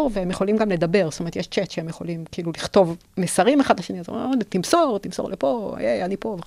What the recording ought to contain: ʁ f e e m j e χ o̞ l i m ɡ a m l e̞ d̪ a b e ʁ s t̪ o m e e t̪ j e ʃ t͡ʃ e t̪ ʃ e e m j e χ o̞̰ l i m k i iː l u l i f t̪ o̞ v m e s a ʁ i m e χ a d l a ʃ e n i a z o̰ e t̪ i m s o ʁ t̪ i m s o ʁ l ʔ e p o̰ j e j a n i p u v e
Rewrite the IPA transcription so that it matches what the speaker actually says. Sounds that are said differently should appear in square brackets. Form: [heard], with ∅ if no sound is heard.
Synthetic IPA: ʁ [v] e e m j e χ o̞ l i m ɡ a m l e̞ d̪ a b e ʁ s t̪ o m e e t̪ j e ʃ t͡ʃ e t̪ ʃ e e m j e χ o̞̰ l i m k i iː l u l i [χ] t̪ o̞ v m e s a ʁ i m e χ a d l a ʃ e n i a z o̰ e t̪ i m s o ʁ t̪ i m s o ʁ l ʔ e p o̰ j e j a n i p [o] v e